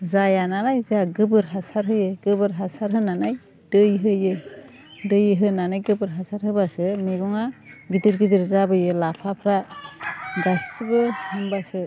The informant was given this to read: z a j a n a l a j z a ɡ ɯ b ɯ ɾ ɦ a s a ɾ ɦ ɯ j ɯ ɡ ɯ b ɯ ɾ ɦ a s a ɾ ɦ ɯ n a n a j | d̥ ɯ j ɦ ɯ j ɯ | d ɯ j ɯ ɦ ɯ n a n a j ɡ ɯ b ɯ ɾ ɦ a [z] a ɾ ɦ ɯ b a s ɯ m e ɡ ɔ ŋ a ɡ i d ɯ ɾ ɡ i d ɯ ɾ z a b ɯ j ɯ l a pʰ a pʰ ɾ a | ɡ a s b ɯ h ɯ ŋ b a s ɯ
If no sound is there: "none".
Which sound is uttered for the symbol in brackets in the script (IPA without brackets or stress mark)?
s